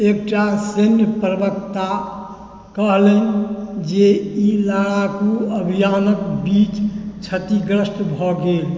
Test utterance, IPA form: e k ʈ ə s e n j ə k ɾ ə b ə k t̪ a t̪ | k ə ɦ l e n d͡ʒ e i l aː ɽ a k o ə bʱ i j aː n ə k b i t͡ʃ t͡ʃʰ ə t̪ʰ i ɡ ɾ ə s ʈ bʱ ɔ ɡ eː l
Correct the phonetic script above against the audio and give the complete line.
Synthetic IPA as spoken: e k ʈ a s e n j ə p ɾ ə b ə k t̪ a | k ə ɦ l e n d͡ʒ e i l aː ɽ a k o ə bʱ i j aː n ə k b i t͡ʃ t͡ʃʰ ə t̪ i ɡ ɾ ə s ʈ bʱ ɔ ɡ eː l